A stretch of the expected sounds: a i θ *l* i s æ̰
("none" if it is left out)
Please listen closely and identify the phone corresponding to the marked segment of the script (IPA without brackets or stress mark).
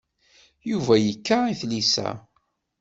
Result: l